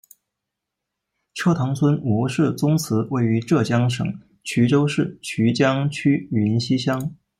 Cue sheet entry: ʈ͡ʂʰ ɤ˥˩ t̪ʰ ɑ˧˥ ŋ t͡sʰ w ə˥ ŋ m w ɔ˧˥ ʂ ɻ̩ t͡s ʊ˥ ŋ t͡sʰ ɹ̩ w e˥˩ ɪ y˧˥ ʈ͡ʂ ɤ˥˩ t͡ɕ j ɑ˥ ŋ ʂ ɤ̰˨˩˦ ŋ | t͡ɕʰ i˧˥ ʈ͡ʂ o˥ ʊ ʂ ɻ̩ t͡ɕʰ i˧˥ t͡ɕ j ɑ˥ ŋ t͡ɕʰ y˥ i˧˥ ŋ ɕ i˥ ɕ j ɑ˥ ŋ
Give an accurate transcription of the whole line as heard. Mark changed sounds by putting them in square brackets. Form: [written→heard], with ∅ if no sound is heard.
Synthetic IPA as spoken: ʈ͡ʂʰ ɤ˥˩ t̪ʰ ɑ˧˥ ŋ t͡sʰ w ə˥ [ŋ→n] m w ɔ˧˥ ʂ ɻ̩ t͡s ʊ˥ ŋ t͡sʰ ɹ̩ w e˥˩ ɪ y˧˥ ʈ͡ʂ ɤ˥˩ t͡ɕ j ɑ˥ ŋ ʂ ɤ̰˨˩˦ ŋ | t͡ɕʰ [i˧˥→y˧˥] ʈ͡ʂ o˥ ʊ ʂ ɻ̩ t͡ɕʰ [i˧˥→y˧˥] t͡ɕ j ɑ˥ ŋ t͡ɕʰ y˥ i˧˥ [ŋ→n] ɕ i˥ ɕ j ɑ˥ ŋ